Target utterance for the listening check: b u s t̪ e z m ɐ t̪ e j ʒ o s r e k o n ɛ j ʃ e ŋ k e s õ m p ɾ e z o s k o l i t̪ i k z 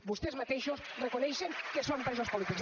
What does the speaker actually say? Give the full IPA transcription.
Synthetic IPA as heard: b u s t̪ e z m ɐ t̪ e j ʃ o s r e k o n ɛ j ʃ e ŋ k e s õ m p ɾ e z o s p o l i t̪ i k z